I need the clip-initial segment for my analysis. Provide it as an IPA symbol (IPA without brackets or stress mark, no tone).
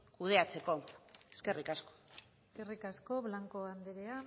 k